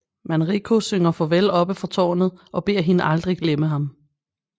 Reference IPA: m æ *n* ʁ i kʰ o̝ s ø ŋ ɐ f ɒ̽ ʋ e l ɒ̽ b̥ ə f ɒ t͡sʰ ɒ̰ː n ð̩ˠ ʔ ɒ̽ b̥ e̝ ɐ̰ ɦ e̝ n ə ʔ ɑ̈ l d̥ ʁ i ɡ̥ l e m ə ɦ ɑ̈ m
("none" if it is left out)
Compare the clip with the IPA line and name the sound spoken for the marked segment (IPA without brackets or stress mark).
n